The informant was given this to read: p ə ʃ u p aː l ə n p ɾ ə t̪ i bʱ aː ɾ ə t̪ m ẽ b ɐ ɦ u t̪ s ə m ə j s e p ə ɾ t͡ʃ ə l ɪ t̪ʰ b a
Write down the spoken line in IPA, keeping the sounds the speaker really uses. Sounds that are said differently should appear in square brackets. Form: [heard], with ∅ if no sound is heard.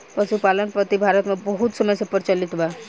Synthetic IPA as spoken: p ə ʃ u p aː l ə n p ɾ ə t̪ i bʱ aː ɾ ə t̪ m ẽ b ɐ ɦ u t̪ s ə m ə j s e p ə ɾ t͡ʃ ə l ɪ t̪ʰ b a